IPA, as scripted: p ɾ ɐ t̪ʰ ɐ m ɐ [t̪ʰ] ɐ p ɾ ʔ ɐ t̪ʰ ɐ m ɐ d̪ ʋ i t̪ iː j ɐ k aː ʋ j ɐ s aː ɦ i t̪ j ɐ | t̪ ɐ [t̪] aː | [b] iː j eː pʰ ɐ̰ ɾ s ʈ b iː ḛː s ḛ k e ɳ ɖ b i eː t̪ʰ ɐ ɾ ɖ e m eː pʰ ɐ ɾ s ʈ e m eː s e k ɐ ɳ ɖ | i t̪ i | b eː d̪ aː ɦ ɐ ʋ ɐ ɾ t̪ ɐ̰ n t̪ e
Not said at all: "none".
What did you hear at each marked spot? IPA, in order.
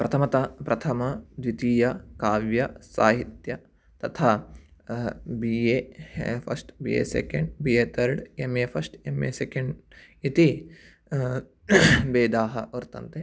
t̪, t̪ʰ, b

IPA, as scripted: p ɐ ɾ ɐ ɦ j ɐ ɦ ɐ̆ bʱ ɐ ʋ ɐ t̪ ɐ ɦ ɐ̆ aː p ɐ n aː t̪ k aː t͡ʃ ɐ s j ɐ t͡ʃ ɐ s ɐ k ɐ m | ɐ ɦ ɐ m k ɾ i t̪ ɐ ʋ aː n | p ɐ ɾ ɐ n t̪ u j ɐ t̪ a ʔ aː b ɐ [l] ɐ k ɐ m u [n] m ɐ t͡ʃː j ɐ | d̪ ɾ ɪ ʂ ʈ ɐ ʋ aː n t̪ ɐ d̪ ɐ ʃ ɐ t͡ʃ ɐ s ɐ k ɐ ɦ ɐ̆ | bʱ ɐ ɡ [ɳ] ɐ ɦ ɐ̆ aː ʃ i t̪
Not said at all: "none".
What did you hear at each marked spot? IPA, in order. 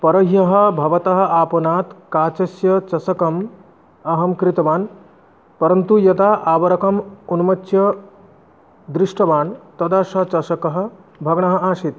ɾ, n, ɳ

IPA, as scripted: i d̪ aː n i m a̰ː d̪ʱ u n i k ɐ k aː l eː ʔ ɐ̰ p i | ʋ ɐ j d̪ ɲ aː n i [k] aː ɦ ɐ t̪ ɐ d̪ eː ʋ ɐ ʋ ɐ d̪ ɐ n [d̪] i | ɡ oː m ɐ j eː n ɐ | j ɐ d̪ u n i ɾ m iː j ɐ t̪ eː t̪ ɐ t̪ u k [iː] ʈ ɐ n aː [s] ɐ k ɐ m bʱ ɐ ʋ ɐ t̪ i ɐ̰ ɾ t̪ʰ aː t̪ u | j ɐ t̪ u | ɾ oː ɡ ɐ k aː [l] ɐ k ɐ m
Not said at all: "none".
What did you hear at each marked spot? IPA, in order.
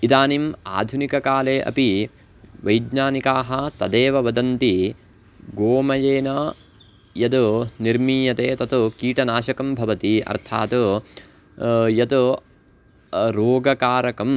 k, t̪, iː, ʃ, ɾ

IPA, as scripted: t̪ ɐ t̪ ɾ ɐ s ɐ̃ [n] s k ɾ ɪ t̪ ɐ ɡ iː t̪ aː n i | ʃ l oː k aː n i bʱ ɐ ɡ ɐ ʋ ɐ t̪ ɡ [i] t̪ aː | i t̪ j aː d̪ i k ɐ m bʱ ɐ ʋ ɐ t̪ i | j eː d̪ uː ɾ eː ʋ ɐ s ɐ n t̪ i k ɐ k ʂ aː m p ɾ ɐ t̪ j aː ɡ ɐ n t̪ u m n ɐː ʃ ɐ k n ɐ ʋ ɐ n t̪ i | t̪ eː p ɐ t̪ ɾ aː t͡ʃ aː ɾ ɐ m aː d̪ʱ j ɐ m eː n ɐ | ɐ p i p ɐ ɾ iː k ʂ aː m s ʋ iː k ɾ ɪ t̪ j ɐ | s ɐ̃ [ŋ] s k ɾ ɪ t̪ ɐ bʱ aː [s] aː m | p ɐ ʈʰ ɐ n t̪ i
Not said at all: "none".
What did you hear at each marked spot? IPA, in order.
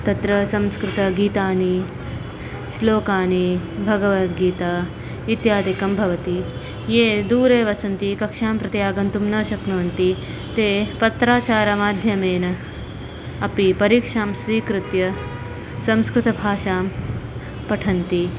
m, iː, m, ʃ

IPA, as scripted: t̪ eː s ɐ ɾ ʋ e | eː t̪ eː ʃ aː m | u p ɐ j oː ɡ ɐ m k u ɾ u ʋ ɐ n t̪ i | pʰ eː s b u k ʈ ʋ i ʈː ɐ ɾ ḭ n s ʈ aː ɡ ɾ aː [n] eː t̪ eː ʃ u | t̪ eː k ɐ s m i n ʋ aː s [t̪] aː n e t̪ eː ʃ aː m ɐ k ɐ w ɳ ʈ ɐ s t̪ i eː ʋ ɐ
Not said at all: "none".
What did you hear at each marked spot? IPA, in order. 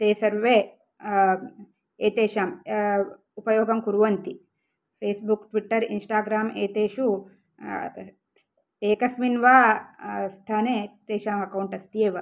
m, t̪ʰ

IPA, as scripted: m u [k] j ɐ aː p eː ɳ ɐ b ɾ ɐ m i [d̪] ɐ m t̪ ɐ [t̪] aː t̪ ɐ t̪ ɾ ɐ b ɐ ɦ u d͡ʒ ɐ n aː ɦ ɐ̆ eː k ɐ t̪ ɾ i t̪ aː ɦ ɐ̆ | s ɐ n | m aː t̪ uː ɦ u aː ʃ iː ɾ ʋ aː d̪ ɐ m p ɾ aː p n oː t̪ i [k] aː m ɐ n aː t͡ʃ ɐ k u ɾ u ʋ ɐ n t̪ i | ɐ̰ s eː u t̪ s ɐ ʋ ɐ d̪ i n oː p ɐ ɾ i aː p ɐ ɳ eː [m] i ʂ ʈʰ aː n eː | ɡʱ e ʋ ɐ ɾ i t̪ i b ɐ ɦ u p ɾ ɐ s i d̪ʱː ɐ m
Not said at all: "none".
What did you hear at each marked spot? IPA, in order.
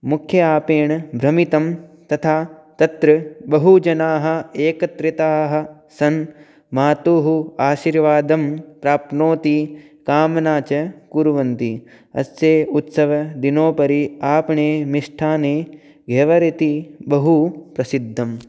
kʰ, t̪, t̪ʰ, k, m

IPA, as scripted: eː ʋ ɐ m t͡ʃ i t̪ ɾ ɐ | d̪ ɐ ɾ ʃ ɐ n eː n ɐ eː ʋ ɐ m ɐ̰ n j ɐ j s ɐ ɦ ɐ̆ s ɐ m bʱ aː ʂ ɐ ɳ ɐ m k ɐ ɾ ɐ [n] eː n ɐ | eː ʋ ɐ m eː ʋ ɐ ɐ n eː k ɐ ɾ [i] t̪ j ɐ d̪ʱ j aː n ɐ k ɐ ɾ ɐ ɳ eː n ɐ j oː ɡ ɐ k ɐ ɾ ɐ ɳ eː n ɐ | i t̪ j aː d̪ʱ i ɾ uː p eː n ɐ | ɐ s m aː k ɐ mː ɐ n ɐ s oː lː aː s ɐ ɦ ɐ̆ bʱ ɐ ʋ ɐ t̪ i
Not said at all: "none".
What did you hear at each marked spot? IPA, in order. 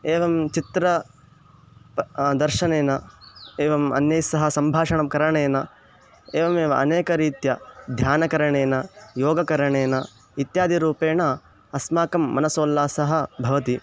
ɳ, iː

